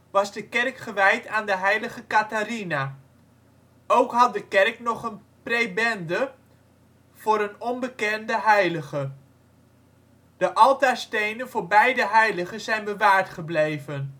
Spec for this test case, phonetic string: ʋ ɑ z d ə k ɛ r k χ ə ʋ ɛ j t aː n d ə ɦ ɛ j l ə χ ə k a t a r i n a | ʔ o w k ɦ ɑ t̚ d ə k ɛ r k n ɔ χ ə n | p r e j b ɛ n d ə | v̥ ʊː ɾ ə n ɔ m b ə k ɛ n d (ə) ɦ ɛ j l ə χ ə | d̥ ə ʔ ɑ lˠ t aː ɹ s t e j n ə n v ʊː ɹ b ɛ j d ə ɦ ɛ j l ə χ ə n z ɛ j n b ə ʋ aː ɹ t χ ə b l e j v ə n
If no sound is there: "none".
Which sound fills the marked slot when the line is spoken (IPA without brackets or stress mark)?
ə